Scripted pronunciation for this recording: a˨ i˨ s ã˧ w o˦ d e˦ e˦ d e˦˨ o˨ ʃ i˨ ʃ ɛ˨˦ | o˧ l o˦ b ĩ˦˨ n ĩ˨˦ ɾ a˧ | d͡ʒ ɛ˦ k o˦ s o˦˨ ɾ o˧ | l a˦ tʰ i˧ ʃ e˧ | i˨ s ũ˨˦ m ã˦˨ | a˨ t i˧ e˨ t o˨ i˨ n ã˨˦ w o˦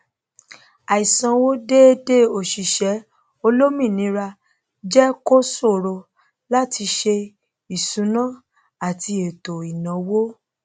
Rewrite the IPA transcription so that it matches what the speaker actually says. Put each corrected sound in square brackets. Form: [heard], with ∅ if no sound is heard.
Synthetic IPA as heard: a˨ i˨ s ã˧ w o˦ d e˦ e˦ d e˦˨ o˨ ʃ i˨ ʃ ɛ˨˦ | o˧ l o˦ [m] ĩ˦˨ n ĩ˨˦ ɾ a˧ | d͡ʒ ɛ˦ k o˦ s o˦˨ ɾ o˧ | l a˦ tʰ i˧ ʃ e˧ | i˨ s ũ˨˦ [n] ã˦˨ | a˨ t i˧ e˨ t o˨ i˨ n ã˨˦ w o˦